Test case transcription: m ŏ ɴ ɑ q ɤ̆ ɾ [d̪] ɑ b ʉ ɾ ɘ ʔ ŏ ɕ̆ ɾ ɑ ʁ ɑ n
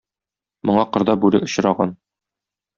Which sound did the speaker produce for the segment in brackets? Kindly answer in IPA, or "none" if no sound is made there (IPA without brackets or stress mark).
d̪